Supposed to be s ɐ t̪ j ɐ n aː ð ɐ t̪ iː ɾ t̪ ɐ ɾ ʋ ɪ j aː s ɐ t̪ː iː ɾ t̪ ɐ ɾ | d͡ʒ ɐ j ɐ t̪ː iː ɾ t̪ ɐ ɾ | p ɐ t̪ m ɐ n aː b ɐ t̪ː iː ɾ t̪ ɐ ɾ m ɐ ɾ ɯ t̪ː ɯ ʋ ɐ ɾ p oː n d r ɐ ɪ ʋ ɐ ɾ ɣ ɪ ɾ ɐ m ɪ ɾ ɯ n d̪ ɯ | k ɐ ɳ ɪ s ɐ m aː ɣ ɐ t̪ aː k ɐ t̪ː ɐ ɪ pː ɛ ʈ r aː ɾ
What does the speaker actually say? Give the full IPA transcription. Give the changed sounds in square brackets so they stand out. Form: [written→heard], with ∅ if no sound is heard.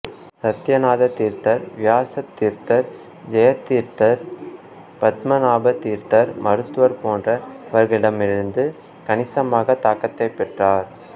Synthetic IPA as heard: s ɐ t̪ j ɐ n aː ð ɐ t̪ iː ɾ t̪ ɐ ɾ ʋ ɪ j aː s ɐ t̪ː iː ɾ t̪ ɐ ɾ | d͡ʒ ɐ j ɐ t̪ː iː ɾ t̪ ɐ ɾ | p ɐ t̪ m ɐ n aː b ɐ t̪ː iː ɾ t̪ ɐ ɾ m ɐ ɾ ɯ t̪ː ɯ ʋ ɐ ɾ p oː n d r ɐ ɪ ʋ ɐ ɾ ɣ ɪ [ɾ→ɽ] ɐ m ɪ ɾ ɯ n d̪ ɯ | k ɐ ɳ ɪ s ɐ m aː ɣ ɐ t̪ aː k ɐ t̪ː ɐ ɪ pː ɛ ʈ r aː ɾ

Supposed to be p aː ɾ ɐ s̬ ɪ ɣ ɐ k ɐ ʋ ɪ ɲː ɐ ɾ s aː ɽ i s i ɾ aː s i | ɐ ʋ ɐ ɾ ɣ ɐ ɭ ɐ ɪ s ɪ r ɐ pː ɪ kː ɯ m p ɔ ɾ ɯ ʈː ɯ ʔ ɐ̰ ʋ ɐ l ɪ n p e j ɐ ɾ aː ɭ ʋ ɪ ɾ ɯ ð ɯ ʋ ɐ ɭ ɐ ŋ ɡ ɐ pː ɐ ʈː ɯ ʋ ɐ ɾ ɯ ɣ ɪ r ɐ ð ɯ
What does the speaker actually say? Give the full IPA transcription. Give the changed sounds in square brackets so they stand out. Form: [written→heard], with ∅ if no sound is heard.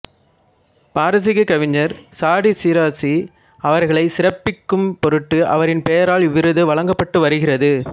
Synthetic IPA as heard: p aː ɾ ɐ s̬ ɪ ɣ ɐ k ɐ ʋ ɪ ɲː ɐ ɾ s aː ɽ i s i ɾ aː s i | ɐ ʋ ɐ ɾ ɣ ɐ ɭ ɐ ɪ s ɪ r ɐ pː ɪ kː ɯ m p ɔ ɾ ɯ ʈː ɯ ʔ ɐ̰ ʋ ɐ [l→ɾ] ɪ n p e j ɐ ɾ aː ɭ ʋ ɪ ɾ ɯ ð ɯ ʋ ɐ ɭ ɐ ŋ ɡ ɐ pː ɐ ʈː ɯ ʋ ɐ ɾ ɯ ɣ ɪ r ɐ ð ɯ

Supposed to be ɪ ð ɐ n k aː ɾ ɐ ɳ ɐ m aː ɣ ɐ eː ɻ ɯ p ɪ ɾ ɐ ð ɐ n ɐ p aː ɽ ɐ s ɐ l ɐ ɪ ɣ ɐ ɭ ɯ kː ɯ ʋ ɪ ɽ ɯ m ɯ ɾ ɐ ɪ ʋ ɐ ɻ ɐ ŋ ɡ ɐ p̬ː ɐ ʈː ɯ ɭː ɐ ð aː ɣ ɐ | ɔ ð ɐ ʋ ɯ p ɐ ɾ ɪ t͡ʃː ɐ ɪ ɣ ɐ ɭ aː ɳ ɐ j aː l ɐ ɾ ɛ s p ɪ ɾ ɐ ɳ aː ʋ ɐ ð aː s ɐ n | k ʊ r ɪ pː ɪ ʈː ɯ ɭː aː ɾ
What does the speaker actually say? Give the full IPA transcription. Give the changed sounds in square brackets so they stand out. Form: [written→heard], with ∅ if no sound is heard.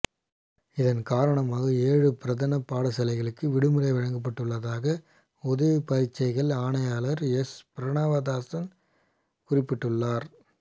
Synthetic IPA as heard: ɪ ð ɐ n k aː ɾ ɐ ɳ ɐ m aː ɣ ɐ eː ɻ ɯ p ɪ ɾ ɐ ð ɐ n ɐ p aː ɽ ɐ s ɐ l ɐ ɪ ɣ ɐ ɭ ɯ kː ɯ ʋ ɪ ɽ ɯ m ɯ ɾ ɐ ɪ ʋ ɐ ɻ ɐ ŋ ɡ ɐ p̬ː ɐ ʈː ɯ ɭː ɐ ð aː ɣ ɐ | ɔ ð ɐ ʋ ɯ p ɐ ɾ ɪ t͡ʃː ɐ ɪ ɣ ɐ ɭ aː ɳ ɐ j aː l ɐ ɾ ɛ s p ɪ ɾ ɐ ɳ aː ʋ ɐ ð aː s ɐ n | k ʊ r ɪ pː ɪ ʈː ɯ ɭː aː ɾ

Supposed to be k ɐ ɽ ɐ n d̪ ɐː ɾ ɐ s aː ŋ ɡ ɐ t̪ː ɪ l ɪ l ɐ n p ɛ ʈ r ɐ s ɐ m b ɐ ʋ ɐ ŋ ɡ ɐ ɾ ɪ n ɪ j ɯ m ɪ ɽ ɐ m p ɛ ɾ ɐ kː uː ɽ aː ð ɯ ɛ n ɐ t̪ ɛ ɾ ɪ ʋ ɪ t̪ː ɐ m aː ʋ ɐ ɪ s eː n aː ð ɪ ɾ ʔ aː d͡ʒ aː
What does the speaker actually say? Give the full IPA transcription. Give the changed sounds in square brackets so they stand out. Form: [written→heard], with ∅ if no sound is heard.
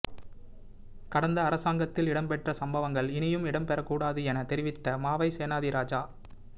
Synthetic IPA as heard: k ɐ ɽ ɐ n d̪ ɐː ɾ ɐ s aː ŋ ɡ ɐ t̪ː ɪ l ɪ [l→ɽ] ɐ [n→m] p ɛ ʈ r ɐ s ɐ m b ɐ ʋ ɐ ŋ ɡ ɐ [ɾ→ɭ] ɪ n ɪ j ɯ m ɪ ɽ ɐ m p ɛ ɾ ɐ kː uː ɽ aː ð ɯ ɛ n ɐ t̪ ɛ ɾ ɪ ʋ ɪ t̪ː ɐ m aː ʋ ɐ ɪ s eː n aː ð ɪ ɾ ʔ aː d͡ʒ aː

